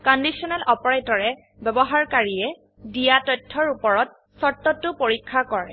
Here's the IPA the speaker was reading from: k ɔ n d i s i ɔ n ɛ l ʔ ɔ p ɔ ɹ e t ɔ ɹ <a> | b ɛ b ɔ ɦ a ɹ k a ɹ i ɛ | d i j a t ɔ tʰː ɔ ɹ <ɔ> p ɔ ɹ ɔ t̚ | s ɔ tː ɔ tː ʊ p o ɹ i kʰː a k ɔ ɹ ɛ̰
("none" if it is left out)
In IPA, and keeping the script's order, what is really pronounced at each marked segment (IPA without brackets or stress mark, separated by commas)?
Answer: ɛ, u